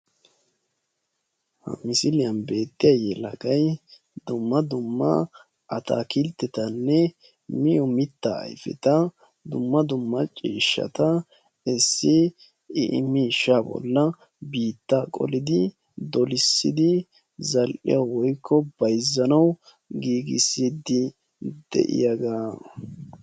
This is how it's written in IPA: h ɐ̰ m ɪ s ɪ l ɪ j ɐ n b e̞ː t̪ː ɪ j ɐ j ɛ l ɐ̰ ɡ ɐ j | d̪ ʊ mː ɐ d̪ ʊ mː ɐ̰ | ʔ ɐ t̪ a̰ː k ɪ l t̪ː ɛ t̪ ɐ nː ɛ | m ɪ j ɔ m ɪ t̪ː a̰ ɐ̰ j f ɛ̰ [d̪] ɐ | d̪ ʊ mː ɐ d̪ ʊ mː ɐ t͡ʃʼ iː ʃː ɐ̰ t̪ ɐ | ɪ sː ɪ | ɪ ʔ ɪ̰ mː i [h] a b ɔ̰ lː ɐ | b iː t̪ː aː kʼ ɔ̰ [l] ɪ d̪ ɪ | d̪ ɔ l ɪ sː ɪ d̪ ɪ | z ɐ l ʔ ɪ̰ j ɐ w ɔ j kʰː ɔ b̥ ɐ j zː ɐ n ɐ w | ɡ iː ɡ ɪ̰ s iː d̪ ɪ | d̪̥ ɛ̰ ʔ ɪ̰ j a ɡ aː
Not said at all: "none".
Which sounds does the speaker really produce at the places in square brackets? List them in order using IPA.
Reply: t̪, ʃ, l

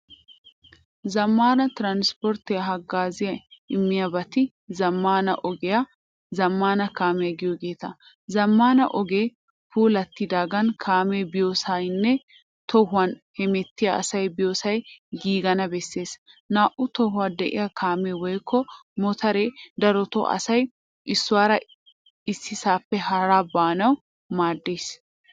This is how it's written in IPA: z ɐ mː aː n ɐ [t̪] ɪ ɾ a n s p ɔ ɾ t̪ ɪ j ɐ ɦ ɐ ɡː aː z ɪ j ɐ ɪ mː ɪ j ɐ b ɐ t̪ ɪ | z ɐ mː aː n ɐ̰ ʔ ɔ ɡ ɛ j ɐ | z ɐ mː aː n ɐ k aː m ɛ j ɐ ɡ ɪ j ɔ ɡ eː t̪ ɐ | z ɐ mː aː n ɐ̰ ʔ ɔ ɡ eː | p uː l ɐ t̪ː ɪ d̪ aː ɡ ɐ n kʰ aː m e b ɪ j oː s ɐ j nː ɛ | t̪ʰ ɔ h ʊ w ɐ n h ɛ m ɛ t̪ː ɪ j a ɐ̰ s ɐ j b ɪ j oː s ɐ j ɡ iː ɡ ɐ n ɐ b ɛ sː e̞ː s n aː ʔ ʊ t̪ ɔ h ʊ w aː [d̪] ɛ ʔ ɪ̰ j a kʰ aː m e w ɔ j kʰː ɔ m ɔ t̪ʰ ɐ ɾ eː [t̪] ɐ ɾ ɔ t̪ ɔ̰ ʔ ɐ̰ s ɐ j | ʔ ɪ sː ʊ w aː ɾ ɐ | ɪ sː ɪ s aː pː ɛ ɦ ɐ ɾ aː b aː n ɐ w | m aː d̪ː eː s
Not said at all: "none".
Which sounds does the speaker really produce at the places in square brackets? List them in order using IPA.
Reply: t̪, d̪, d̪

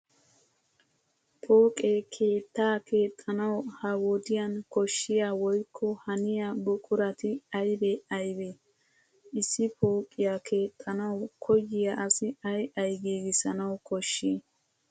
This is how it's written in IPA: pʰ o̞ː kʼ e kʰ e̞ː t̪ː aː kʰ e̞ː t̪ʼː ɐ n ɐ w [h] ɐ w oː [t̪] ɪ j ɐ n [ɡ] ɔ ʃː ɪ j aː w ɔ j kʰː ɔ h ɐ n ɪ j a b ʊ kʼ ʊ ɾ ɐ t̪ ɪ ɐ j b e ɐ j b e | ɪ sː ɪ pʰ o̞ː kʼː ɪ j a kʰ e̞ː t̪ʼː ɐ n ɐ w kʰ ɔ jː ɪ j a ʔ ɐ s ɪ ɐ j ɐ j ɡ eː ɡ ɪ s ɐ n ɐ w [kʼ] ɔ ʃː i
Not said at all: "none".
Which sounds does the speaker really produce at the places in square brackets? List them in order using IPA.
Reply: h, d̪, k, k

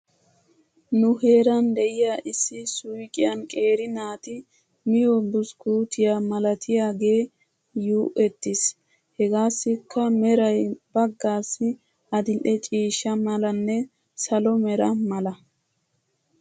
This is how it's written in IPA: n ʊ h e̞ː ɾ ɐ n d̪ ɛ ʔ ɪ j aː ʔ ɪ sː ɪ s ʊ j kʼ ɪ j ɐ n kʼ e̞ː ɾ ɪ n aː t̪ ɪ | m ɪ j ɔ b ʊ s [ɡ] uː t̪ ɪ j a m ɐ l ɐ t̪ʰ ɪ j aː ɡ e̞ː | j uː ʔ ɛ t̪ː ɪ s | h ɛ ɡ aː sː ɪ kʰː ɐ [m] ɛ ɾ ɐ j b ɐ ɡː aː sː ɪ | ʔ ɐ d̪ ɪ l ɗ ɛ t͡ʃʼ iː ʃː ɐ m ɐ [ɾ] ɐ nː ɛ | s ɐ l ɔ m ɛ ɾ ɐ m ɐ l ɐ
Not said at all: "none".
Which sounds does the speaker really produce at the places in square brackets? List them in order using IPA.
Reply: k, m, l

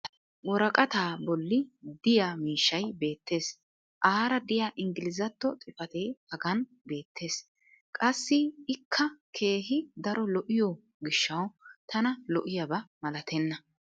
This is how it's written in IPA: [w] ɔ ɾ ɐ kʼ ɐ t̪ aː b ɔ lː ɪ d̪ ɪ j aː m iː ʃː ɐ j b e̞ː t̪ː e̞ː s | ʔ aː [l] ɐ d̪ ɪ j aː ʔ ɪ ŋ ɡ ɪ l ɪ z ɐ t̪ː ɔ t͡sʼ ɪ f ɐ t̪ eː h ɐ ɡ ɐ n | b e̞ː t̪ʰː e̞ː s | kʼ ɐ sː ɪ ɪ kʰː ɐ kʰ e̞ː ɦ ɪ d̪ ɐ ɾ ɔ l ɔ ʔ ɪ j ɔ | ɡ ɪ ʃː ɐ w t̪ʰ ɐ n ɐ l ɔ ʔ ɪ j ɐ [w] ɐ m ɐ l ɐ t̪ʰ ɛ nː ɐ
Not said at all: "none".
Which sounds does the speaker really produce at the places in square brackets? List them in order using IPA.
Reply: w, ɾ, b

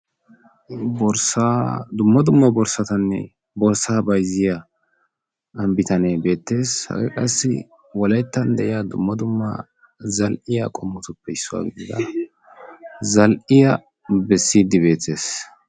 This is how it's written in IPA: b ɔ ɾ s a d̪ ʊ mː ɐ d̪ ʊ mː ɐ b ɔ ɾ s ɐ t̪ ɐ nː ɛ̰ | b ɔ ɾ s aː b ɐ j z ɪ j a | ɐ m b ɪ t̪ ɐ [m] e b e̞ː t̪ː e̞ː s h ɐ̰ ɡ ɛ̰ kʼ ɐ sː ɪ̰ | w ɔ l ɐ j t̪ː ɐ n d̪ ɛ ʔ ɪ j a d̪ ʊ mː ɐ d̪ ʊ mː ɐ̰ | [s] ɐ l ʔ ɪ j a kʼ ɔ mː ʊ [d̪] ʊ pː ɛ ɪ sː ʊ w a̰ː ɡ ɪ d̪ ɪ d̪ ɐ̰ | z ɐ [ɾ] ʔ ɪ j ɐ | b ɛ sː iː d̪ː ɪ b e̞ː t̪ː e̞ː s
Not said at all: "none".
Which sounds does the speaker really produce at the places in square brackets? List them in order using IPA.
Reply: n, z, t̪, l

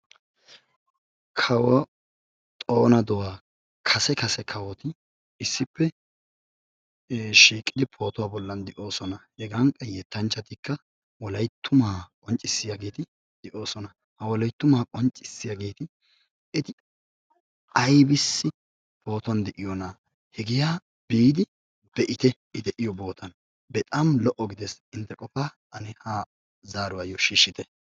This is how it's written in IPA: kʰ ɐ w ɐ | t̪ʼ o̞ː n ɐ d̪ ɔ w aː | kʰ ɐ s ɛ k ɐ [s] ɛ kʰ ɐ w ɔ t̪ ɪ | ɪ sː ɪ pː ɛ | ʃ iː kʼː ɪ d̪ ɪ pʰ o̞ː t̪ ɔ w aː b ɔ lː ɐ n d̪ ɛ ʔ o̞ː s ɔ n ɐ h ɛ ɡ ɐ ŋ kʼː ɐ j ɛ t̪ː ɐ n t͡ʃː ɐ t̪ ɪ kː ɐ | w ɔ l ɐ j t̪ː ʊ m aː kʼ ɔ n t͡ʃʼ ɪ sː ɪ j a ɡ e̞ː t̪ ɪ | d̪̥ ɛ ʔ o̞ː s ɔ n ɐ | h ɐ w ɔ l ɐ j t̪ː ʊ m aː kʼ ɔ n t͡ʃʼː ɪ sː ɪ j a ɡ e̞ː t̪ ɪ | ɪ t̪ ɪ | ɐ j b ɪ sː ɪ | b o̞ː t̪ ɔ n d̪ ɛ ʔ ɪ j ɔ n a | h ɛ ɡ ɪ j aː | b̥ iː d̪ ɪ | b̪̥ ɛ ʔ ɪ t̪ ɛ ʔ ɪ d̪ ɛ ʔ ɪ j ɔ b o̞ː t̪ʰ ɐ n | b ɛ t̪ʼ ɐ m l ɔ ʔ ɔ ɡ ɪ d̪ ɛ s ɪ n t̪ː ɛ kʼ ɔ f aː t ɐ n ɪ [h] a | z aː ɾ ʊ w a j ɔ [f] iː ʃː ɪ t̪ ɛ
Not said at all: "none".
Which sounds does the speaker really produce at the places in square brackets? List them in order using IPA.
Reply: s, h, ʃ

